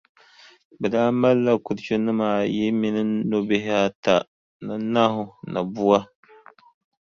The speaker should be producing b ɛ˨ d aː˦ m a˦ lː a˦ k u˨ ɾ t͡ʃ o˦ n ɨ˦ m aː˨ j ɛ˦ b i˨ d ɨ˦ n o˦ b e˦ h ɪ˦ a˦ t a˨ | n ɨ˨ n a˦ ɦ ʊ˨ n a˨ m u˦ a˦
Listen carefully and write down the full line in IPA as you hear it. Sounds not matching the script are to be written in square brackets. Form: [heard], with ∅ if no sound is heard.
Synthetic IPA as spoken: b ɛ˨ d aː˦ m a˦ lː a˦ k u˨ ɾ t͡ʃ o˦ n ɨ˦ m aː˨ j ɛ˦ [m] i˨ [n] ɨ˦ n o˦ b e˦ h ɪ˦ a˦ t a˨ | n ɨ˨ n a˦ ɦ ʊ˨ n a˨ [b] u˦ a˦